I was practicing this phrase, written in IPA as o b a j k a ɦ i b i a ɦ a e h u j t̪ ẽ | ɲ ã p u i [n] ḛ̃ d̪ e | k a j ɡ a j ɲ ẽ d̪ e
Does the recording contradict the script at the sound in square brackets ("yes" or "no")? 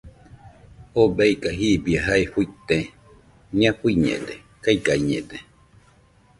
yes